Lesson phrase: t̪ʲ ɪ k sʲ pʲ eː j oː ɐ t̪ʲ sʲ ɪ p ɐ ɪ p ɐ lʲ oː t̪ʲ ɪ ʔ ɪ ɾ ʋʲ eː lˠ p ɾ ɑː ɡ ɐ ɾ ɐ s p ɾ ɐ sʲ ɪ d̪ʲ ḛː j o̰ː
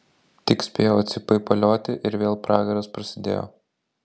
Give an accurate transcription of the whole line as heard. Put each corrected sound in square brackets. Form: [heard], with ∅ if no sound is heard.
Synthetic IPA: t̪ʲ ɪ k sʲ pʲ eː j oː ɐ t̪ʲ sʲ ɪ p ɐ ɪ p ɐ lʲ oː t̪ʲ ɪ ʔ ɪ ɾ ʋʲ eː lˠ p ɾ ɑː ɡ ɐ ɾ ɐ s p ɾ ɐ sʲ ɪ d̪ʲ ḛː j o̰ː